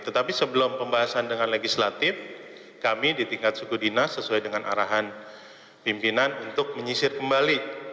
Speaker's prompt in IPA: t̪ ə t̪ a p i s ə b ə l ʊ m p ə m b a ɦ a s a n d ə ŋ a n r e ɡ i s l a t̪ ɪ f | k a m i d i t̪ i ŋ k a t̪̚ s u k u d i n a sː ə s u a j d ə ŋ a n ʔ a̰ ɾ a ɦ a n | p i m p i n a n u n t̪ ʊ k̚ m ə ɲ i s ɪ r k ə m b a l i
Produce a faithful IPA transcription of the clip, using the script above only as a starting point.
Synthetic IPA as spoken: t̪ ə t̪ a p i s ə b ə l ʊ m p ə m b a ɦ a s a n d ə ŋ a n l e ɡ i s l a t̪ ɪ f | k a m i d i t̪ i ŋ k a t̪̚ s u k u d i n a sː ə s u a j d ə ŋ a n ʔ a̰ ɾ a ɦ a n | p i m p i n a n u n t̪ ʊ k̚ m ə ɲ i s ɪ r k ə m b a l i